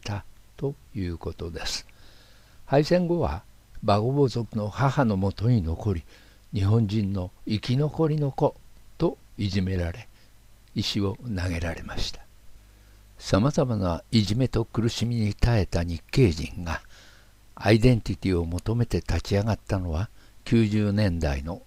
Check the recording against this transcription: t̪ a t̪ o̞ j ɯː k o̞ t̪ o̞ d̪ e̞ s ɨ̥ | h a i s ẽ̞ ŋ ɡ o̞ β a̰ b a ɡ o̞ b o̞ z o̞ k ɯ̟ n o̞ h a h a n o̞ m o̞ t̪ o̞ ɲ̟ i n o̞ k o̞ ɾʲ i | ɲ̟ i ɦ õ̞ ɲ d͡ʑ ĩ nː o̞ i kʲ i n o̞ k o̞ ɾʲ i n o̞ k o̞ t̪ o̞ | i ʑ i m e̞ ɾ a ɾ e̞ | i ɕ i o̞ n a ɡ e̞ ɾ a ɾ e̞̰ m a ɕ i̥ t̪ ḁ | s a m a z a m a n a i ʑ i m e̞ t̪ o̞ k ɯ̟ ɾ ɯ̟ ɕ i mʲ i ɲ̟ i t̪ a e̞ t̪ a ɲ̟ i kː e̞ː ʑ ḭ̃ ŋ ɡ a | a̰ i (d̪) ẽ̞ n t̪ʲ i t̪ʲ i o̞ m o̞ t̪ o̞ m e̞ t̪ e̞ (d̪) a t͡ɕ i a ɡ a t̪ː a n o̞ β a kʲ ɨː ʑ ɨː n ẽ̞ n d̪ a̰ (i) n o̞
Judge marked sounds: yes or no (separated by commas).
yes, no, yes